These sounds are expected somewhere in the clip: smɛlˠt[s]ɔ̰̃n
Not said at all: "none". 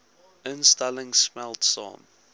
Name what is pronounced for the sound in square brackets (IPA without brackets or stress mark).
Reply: s